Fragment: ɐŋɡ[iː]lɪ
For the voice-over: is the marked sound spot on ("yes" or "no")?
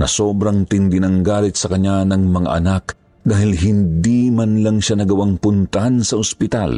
no